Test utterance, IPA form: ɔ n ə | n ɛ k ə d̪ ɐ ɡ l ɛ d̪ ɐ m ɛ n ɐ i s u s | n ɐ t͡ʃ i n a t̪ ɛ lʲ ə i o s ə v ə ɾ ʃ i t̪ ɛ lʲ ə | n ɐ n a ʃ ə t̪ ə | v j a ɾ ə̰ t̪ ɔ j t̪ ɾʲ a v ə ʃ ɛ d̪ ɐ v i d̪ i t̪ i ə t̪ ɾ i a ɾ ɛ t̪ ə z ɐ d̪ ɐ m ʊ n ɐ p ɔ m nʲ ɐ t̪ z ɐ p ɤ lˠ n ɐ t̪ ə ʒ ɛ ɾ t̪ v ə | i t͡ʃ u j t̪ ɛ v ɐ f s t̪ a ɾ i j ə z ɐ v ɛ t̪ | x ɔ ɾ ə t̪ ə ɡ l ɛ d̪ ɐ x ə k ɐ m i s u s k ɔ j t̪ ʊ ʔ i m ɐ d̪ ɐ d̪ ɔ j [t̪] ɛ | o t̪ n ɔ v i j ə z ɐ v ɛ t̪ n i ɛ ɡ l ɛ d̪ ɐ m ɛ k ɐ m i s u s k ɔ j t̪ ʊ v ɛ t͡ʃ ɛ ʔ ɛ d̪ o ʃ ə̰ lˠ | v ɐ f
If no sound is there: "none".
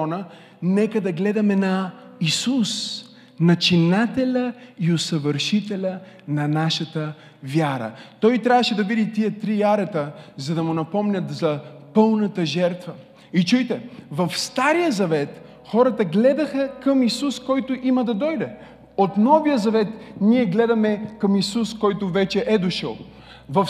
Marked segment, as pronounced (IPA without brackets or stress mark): d̪